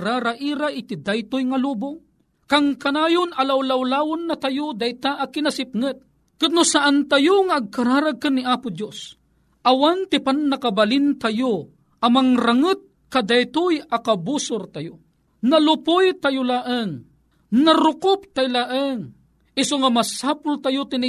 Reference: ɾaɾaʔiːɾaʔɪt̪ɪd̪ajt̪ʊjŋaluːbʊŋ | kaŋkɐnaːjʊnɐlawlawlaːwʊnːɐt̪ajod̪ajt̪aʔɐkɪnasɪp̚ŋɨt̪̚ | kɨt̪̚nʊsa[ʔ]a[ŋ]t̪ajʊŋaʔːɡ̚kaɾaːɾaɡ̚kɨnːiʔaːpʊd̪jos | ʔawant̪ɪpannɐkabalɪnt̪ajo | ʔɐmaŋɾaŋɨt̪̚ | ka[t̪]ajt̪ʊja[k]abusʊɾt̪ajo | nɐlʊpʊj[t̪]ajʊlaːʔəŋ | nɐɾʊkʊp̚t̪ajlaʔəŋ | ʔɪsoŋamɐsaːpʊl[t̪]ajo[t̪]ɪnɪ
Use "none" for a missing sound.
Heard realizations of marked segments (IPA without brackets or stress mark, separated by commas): ʔ, n, d̪, k, t̪, t̪, t̪